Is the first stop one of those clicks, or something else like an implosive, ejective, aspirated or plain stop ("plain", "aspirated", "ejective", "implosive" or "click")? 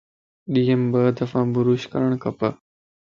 implosive